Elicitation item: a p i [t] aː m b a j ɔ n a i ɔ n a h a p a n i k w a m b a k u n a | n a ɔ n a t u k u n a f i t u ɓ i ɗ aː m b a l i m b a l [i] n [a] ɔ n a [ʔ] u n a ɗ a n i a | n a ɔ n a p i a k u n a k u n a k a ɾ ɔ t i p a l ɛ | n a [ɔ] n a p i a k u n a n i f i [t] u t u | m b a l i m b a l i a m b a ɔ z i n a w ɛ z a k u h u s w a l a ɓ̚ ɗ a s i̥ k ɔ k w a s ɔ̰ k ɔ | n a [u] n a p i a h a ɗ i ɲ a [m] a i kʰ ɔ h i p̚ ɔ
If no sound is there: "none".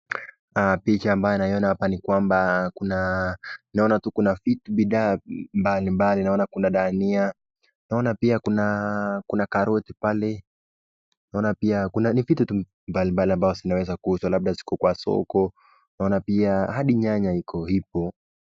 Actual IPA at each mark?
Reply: t͡ʃ, i, a, k, ɔ, t, ɔ, ɲ

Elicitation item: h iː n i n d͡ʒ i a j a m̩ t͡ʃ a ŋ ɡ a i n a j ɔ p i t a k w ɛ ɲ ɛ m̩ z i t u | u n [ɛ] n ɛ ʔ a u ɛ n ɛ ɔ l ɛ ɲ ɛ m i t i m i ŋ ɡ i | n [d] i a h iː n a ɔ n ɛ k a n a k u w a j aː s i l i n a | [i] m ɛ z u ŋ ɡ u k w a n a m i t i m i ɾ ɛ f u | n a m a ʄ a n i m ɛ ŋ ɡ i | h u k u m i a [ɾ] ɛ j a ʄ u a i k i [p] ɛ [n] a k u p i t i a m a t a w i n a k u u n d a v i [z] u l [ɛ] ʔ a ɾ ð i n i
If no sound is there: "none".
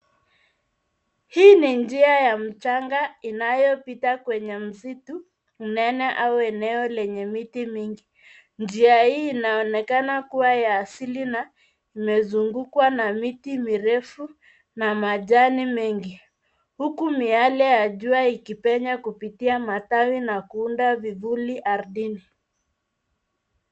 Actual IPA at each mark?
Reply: ɛ, d͡ʒ, i, l, p, ɲ, v, i

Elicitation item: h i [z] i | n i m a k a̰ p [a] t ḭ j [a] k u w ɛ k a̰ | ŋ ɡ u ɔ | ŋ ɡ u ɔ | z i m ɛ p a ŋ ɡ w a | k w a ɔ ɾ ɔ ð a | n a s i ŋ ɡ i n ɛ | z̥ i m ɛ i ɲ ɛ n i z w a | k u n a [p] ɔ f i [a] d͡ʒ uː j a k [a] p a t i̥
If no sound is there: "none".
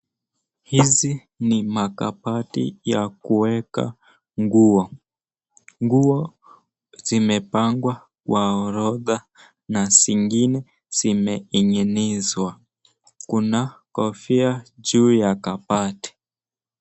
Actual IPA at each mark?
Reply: z, a, a, k, a, a

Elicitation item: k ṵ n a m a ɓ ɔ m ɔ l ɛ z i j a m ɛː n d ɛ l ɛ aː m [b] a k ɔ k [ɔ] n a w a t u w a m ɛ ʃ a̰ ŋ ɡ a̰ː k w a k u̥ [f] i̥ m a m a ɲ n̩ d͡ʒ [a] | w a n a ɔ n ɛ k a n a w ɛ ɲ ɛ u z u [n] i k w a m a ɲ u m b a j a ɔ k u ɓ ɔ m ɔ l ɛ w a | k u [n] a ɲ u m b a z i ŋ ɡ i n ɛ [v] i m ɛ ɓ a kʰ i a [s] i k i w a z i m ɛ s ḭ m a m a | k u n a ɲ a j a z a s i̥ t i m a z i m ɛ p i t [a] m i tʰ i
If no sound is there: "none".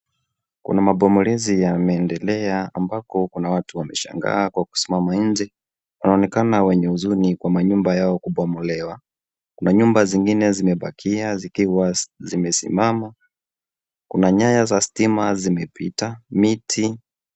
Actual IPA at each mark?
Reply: b, u, s, ɛ, n, n, z, z, a

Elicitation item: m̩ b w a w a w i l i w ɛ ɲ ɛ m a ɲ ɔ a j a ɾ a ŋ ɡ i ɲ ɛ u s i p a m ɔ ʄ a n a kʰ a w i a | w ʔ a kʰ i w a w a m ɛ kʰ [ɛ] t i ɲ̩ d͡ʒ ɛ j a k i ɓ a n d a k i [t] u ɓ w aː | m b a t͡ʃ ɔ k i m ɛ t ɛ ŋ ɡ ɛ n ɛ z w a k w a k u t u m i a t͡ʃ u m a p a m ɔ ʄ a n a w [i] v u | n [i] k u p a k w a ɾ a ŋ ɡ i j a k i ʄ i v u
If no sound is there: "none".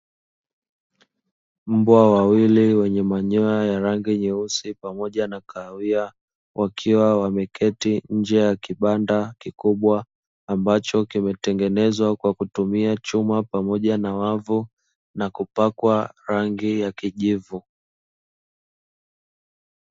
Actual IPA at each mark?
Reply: ɛ, k, a, a

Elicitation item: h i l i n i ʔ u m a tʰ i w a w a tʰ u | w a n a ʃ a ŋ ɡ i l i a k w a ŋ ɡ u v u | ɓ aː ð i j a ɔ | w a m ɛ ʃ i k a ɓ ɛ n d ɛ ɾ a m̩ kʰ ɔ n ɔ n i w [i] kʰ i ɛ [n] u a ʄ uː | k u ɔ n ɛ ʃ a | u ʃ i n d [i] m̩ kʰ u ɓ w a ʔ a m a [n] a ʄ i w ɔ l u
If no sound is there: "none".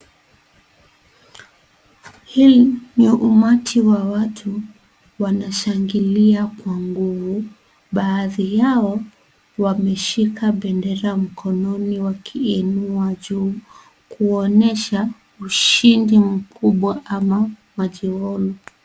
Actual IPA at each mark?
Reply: a, n, i, m

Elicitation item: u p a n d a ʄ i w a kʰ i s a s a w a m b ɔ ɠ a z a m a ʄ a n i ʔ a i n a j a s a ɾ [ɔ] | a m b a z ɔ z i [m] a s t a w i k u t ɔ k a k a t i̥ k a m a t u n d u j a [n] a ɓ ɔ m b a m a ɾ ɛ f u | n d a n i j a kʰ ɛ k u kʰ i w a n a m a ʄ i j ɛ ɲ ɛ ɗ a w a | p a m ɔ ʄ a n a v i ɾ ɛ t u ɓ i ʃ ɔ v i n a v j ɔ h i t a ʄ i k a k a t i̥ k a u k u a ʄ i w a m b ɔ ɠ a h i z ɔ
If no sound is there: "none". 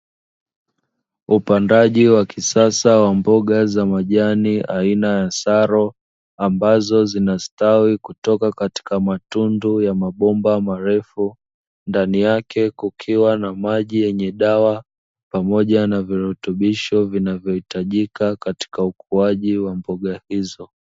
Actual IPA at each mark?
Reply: ɔ, n, m

